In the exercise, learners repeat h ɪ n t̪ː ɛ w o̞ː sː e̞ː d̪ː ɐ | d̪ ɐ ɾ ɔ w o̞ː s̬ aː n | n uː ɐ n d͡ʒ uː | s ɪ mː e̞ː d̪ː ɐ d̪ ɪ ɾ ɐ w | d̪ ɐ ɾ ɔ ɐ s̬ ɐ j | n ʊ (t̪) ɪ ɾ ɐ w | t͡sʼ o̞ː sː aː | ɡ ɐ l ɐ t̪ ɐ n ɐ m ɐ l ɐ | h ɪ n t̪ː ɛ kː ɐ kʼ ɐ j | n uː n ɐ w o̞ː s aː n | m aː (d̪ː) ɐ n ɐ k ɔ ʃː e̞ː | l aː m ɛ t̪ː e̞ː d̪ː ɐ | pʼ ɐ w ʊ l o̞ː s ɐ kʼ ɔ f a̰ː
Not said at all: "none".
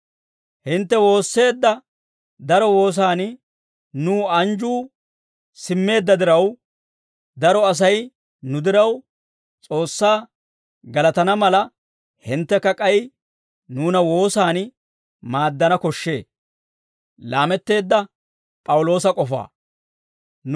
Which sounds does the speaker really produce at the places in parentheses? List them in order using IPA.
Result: d̪, d̪ː

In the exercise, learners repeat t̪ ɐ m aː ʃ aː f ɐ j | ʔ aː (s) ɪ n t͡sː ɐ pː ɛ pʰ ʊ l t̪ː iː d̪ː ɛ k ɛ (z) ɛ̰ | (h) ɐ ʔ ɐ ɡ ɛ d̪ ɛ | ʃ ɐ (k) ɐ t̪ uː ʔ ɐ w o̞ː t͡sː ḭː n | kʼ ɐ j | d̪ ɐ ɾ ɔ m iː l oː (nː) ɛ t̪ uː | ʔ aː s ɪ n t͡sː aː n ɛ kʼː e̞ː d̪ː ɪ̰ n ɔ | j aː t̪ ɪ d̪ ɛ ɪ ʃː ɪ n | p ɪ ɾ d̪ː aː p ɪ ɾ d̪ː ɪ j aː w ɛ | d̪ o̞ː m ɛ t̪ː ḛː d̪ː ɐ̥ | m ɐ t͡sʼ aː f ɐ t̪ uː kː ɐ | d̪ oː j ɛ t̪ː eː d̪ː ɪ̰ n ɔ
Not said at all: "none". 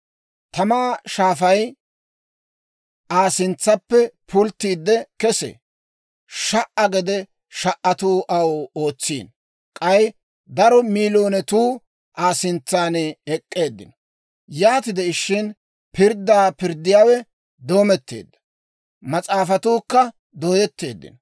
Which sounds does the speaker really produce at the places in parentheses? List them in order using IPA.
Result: s, s, ʃ, ʔ, n

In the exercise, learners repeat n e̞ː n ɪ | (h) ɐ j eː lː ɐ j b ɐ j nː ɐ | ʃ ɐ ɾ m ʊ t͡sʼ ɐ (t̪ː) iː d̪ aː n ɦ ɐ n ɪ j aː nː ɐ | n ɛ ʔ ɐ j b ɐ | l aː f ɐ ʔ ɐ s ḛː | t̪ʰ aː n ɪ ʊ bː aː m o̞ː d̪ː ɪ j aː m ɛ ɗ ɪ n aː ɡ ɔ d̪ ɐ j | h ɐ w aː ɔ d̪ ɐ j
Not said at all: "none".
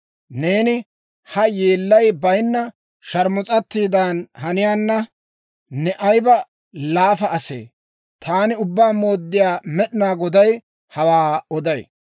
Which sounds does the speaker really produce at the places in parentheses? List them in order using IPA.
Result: h, t̪ː

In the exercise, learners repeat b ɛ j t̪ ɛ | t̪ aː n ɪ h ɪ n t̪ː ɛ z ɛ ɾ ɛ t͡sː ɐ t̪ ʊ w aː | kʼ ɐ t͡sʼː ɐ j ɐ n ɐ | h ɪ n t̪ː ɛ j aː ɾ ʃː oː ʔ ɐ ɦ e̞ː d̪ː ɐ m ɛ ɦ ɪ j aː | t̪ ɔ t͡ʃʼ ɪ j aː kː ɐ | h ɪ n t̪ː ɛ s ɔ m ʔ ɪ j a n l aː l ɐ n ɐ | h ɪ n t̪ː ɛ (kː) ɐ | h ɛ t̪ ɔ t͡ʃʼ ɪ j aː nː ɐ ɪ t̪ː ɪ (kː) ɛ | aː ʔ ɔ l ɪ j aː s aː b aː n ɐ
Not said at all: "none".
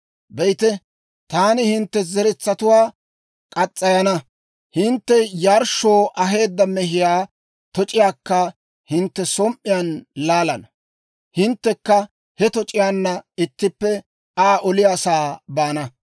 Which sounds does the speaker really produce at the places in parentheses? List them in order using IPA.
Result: kː, pː

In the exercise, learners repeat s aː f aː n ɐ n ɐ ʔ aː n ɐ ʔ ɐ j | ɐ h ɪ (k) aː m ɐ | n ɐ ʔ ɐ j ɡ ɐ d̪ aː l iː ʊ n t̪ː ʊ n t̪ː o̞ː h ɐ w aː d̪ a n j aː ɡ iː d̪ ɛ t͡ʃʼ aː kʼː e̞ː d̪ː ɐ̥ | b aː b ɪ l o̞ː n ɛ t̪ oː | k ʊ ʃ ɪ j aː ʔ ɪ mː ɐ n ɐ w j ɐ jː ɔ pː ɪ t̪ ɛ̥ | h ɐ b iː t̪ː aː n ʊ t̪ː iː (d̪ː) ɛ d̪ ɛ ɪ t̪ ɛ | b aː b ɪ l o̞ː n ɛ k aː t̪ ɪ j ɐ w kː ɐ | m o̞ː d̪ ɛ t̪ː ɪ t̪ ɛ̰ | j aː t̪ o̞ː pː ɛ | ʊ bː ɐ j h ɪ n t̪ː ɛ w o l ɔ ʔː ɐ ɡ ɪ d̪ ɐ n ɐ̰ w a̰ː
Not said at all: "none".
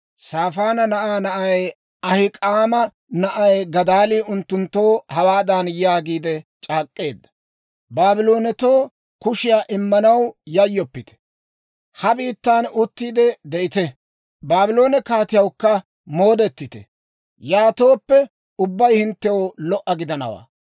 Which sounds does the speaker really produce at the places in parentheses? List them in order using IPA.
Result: kʼ, d̪

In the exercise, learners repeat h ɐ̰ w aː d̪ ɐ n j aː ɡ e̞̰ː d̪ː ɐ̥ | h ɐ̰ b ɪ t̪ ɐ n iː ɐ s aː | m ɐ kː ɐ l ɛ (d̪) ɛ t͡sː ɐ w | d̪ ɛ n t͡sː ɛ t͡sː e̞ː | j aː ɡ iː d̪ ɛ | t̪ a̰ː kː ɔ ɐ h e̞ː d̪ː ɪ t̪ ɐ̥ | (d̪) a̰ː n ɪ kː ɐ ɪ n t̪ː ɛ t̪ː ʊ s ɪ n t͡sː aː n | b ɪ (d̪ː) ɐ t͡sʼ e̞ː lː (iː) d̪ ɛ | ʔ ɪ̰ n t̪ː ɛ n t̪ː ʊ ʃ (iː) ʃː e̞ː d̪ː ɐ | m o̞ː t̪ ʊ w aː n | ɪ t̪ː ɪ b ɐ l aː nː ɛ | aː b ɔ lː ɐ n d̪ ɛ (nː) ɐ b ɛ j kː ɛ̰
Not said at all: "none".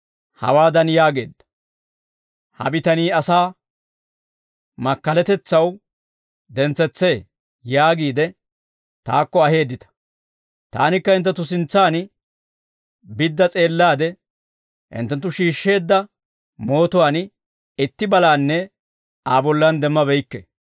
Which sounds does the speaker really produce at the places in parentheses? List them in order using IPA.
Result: t̪, t̪, d̪ː, aː, iː, mː

